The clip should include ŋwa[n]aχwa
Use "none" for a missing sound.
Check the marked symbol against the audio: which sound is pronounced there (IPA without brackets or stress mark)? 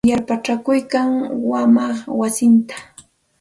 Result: m